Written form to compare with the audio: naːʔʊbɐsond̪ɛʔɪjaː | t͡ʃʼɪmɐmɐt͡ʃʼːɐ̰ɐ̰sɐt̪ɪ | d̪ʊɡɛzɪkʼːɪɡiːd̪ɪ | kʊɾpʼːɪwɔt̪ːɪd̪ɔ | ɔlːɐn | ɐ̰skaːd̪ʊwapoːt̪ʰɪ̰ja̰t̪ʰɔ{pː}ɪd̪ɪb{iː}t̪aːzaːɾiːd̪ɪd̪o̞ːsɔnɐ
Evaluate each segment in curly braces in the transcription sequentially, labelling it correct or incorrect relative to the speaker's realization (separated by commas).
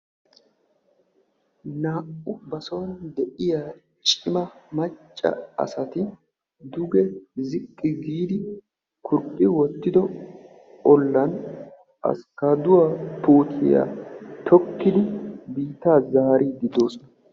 incorrect, correct